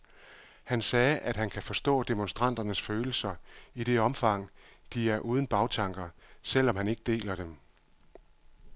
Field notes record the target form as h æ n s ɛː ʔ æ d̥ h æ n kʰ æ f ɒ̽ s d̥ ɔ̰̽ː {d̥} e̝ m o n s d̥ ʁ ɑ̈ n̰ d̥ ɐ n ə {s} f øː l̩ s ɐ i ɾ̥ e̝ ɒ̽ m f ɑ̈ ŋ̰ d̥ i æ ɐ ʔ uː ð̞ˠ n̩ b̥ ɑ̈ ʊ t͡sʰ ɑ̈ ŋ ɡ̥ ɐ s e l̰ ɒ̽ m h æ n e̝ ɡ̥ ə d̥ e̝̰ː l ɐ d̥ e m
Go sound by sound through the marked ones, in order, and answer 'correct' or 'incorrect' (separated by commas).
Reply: correct, correct